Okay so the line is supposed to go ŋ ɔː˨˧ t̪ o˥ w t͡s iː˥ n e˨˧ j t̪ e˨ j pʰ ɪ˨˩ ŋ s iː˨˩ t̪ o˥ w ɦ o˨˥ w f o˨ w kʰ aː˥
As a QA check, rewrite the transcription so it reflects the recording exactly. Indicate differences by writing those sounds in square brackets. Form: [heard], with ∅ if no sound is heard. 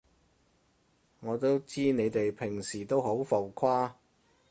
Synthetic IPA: ŋ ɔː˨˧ t̪ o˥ w t͡s iː˥ n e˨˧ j t̪ e˨ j pʰ ɪ˨˩ ŋ s iː˨˩ t̪ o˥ w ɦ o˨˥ w f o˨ w kʰ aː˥

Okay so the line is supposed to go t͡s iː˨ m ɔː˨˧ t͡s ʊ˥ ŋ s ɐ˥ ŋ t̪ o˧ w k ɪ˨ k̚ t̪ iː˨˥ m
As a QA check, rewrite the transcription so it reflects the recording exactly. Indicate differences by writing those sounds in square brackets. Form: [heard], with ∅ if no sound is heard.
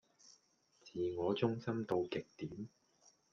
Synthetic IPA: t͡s iː˨ [ŋ] ɔː˨˧ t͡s ʊ˥ ŋ s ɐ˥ [m] t̪ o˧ w k ɪ˨ k̚ t̪ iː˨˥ m

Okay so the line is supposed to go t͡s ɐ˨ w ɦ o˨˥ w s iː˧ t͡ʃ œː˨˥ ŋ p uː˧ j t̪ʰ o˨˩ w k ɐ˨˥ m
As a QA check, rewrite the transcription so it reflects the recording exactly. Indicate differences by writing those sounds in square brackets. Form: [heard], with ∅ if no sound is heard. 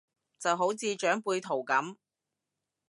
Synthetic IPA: t͡s ɐ˨ w ɦ o˨˥ w [t͡s] iː˧ t͡ʃ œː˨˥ ŋ p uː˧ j t̪ʰ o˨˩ w k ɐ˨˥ m

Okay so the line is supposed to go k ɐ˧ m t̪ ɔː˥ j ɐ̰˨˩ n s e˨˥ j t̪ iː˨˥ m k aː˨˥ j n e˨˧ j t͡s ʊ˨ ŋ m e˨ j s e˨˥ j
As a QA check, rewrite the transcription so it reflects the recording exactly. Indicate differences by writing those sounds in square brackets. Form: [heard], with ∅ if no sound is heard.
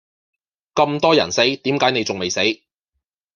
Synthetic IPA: k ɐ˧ m t̪ ɔː˥ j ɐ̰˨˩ n s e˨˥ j t̪ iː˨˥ m k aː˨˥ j n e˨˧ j t͡s ʊ˨ ŋ m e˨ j s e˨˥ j

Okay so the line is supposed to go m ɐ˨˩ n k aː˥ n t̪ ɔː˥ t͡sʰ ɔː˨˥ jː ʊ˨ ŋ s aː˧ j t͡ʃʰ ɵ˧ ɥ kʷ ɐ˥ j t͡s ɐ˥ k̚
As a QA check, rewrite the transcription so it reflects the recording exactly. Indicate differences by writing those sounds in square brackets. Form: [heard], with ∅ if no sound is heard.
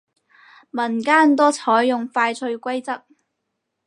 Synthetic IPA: m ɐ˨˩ n k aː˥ n t̪ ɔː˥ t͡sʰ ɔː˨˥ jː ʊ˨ ŋ [f] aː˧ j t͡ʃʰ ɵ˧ ɥ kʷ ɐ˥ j t͡s ɐ˥ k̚

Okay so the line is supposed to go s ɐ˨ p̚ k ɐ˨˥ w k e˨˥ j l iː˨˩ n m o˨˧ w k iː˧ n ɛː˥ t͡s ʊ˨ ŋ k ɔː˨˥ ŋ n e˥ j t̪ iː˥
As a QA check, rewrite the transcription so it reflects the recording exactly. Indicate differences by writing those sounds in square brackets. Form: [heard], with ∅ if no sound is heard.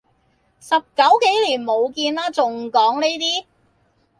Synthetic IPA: s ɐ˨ p̚ k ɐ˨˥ w k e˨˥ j l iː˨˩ n m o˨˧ w k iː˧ n [aː˥] t͡s ʊ˨ ŋ k ɔː˨˥ ŋ n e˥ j t̪ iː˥

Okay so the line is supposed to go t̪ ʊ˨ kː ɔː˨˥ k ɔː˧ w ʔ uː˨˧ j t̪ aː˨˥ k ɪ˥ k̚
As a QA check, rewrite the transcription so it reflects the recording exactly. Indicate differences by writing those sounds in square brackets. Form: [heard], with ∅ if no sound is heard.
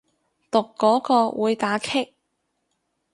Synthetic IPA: t̪ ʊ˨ kː ɔː˨˥ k ɔː˧ w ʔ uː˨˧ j t̪ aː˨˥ [kʰ] ɪ˥ k̚

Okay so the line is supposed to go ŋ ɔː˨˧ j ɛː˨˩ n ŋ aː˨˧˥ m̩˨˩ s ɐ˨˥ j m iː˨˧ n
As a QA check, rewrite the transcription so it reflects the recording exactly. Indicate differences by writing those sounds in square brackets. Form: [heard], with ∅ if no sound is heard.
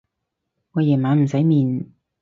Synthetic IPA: ŋ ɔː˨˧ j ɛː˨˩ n [m] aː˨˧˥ m̩˨˩ s ɐ˨˥ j m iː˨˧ n

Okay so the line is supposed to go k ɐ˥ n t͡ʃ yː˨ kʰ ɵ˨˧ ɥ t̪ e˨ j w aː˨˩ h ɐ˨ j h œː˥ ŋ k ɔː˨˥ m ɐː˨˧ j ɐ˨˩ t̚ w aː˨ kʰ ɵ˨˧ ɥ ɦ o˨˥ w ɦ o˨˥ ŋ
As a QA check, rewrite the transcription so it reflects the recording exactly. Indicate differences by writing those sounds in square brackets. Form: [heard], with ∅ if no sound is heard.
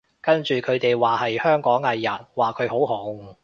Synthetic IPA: k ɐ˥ n t͡ʃ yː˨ kʰ ɵ˨˧ ɥ t̪ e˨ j w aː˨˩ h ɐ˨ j h œː˥ ŋ k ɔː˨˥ [ŋ] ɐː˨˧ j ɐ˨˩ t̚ w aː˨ kʰ ɵ˨˧ ɥ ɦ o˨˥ w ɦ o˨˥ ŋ

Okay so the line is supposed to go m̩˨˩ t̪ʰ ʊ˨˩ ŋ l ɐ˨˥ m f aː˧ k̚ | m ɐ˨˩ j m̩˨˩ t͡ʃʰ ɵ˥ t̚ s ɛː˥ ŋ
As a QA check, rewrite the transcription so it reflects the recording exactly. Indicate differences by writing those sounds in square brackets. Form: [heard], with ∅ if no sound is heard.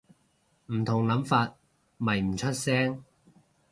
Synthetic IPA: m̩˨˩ t̪ʰ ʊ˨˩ ŋ l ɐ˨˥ m f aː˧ [t̚] | m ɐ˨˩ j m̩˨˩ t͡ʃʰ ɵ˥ t̚ s ɛː˥ ŋ

